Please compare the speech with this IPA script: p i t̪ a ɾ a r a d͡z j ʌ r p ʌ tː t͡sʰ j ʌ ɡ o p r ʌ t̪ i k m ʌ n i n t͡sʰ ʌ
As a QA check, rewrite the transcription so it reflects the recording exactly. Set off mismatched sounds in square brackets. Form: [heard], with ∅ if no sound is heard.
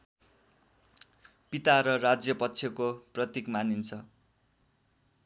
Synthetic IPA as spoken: p i t̪ a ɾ [ʌ] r a d͡z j ʌ [∅] p ʌ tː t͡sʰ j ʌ [k] o p r ʌ t̪ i k m [a] n i n t͡sʰ ʌ